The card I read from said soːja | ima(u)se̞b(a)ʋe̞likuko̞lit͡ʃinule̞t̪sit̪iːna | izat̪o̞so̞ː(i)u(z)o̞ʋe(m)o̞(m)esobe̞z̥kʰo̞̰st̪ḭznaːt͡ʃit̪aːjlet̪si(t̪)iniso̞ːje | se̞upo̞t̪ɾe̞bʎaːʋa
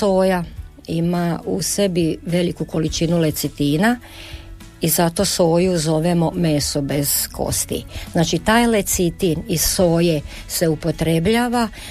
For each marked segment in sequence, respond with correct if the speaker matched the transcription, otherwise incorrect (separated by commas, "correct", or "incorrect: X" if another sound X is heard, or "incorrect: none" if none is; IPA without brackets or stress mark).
correct, incorrect: i, incorrect: j, correct, correct, correct, correct